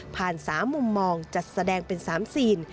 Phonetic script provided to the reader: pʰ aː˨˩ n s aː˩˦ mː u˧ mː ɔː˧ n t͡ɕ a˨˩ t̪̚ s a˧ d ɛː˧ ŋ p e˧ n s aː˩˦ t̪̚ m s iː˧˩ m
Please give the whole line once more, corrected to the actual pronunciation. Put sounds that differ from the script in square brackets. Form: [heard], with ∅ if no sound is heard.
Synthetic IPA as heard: pʰ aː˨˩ n s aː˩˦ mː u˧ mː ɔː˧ [ŋ] t͡ɕ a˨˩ t̪̚ s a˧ d ɛː˧ ŋ p e˧ n s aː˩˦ [∅] m s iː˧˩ [n]